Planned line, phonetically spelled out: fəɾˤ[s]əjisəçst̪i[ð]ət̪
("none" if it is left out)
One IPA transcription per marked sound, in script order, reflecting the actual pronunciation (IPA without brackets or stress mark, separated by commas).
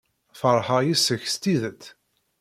ħ, ð